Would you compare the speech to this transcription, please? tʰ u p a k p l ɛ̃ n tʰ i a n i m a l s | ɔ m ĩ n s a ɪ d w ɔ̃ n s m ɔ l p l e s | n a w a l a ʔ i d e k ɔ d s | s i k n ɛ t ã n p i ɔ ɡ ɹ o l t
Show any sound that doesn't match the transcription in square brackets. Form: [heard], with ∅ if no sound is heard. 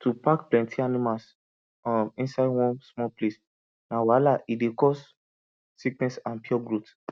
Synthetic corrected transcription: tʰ u p a k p l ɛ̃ n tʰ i a n i m a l s | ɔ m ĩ n s a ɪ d w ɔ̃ n s m ɔ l p l e s | n a w a l a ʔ i d e k ɔ [∅] s | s i k n ɛ [s] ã n p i ɔ ɡ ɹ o [∅] t